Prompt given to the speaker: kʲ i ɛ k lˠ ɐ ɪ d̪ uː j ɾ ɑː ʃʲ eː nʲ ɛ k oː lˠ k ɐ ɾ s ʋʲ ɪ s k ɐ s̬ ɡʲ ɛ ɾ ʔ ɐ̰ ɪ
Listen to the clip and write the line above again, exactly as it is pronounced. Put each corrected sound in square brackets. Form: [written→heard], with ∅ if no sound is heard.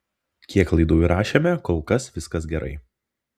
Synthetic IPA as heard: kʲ i ɛ k lˠ ɐ ɪ d̪ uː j ɾ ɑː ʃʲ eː [nʲ→mʲ] ɛ k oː lˠ k ɐ [ɾ→∅] s ʋʲ ɪ s k ɐ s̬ ɡʲ ɛ ɾ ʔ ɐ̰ ɪ

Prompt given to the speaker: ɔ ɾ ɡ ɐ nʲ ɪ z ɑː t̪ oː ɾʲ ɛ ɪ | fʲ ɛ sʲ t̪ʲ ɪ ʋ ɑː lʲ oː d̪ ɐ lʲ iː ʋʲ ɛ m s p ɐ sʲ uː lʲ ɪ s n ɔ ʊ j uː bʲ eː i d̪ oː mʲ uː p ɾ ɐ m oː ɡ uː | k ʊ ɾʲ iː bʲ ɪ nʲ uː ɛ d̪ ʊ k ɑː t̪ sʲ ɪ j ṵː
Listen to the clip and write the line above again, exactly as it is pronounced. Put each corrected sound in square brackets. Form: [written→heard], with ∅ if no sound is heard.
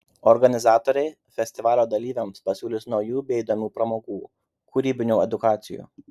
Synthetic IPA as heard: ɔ ɾ ɡ ɐ nʲ ɪ z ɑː t̪ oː ɾʲ ɛ ɪ | fʲ ɛ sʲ t̪ʲ ɪ ʋ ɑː lʲ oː d̪ ɐ lʲ iː ʋʲ ɛ m s p ɐ sʲ uː lʲ ɪ s n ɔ ʊ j uː bʲ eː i d̪ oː mʲ uː p ɾ ɐ m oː ɡ uː | k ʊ ɾʲ iː bʲ ɪ nʲ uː ɛ d̪ ʊ k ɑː t̪ sʲ ɪ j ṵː

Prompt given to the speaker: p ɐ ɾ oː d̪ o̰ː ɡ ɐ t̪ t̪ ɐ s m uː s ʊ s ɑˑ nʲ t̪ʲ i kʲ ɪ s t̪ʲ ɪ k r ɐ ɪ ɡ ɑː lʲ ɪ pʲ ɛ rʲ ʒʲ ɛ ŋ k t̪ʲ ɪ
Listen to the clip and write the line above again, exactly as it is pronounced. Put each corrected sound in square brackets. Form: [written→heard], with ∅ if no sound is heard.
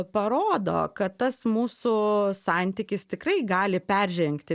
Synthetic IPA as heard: p ɐ ɾ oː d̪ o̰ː [ɡ→k] ɐ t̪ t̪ ɐ s m uː s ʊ s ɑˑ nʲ t̪ʲ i kʲ ɪ s t̪ʲ ɪ k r ɐ ɪ ɡ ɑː lʲ ɪ pʲ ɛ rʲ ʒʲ ɛ ŋ k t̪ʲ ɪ

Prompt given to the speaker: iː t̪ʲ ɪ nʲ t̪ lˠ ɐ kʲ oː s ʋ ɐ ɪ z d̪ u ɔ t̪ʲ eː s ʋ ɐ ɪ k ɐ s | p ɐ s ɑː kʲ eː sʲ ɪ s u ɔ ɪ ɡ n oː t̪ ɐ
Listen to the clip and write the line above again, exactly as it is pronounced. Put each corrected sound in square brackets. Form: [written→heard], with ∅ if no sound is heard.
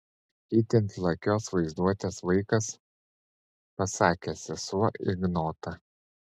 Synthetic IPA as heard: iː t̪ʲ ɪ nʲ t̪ lˠ ɐ kʲ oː s ʋ ɐ ɪ z d̪ u ɔ t̪ʲ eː s ʋ ɐ ɪ k ɐ s | p ɐ s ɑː kʲ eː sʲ ɪ s u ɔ ɪ ɡ n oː t̪ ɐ

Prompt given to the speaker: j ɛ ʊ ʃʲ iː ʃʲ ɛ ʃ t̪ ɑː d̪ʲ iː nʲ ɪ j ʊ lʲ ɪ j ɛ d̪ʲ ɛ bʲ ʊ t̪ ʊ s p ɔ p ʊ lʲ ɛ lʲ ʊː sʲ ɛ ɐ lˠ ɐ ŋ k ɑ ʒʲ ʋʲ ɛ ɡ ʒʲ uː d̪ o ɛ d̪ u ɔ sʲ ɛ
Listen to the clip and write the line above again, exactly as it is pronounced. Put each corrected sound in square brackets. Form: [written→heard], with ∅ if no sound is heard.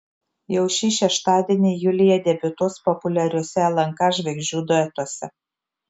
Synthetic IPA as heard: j ɛ ʊ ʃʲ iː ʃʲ ɛ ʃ t̪ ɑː d̪ʲ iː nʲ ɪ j ʊ lʲ ɪ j ɛ d̪ʲ ɛ bʲ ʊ t̪ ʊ s p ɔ p ʊ lʲ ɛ [lʲ→ɾʲ] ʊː sʲ ɛ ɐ lˠ ɐ ŋ k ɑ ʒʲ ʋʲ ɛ ɡ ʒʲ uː d̪ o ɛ [d̪→t̪] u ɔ sʲ ɛ

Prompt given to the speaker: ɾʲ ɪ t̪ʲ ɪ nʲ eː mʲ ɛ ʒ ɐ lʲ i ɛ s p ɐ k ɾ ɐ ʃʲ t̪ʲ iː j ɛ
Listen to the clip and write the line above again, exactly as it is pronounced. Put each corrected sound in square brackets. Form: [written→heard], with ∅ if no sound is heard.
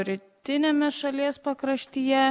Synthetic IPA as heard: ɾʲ ɪ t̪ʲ ɪ nʲ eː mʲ ɛ [ʒ→ʃ] ɐ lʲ i ɛ s p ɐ k ɾ ɐ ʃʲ t̪ʲ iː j ɛ

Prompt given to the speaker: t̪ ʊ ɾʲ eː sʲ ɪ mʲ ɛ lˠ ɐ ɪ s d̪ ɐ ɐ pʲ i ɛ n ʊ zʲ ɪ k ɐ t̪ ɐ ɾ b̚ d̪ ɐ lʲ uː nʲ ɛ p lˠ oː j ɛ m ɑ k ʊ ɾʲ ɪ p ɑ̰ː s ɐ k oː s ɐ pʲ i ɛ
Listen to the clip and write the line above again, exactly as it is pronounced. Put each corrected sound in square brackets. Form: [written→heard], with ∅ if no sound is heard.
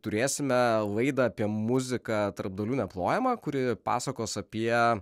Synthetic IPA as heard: t̪ ʊ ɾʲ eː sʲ ɪ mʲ ɛ lˠ ɐ ɪ [s→∅] d̪ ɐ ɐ pʲ i ɛ [n→m] ʊ zʲ ɪ k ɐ t̪ ɐ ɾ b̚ d̪ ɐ lʲ uː nʲ ɛ p lˠ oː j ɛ m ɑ k ʊ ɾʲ ɪ p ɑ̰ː s ɐ k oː s ɐ pʲ i ɛ

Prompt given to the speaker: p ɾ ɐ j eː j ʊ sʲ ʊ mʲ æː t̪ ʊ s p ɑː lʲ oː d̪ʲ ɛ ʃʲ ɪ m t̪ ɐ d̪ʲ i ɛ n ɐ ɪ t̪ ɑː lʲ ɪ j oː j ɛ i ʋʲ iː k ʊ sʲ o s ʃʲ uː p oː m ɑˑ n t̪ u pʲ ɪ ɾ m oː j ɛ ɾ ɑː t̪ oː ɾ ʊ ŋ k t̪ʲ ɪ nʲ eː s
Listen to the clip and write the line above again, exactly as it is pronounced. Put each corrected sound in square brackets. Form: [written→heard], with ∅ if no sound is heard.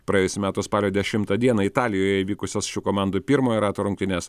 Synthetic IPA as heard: p ɾ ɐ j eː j ʊ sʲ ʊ mʲ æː t̪ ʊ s p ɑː lʲ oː d̪ʲ ɛ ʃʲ ɪ m t̪ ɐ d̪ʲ i ɛ n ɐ ɪ t̪ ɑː lʲ ɪ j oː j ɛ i ʋʲ iː k ʊ sʲ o s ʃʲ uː [p→k] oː m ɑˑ n [t̪→d̪] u pʲ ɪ ɾ m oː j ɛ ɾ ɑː t̪ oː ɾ ʊ ŋ k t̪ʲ ɪ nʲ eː s

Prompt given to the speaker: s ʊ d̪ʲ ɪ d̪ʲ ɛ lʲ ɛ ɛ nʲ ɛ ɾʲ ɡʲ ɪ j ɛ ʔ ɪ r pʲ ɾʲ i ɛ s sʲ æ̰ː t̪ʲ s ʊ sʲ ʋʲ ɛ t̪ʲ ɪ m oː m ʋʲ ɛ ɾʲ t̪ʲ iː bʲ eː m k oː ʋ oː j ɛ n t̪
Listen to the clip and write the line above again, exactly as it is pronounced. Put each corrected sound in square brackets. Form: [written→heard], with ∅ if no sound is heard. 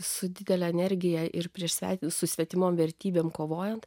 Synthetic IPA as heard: s ʊ d̪ʲ ɪ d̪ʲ ɛ lʲ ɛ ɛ nʲ ɛ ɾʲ ɡʲ ɪ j ɛ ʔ ɪ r pʲ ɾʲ i ɛ [s→ʃ] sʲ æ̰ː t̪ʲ s ʊ sʲ ʋʲ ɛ t̪ʲ ɪ m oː m ʋʲ ɛ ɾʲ t̪ʲ iː bʲ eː m k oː ʋ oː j ɛ n t̪

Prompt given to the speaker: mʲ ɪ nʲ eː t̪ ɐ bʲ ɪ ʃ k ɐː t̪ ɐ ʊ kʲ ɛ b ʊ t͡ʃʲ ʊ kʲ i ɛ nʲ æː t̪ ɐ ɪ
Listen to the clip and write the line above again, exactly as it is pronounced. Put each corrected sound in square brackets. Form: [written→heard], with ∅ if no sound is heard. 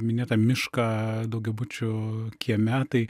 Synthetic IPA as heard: mʲ ɪ nʲ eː t̪ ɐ [bʲ→mʲ] ɪ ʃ k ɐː [t̪→d̪] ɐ ʊ [kʲ→ɡʲ] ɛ b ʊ t͡ʃʲ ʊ kʲ i ɛ [nʲ→mʲ] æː t̪ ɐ ɪ

